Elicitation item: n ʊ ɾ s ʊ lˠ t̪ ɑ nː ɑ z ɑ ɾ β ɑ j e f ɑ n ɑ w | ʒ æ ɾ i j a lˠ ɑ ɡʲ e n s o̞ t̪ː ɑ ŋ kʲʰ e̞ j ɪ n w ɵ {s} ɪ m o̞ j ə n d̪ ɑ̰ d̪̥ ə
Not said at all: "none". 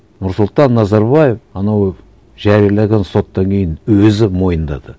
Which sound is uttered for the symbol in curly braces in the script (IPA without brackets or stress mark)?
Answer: z